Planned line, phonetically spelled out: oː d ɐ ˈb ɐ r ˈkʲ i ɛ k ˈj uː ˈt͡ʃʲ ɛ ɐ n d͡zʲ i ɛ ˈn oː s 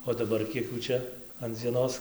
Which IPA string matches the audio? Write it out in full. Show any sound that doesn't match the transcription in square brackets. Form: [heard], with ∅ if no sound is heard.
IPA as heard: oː d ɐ ˈb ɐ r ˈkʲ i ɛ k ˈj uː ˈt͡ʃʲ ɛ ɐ n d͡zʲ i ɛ ˈn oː s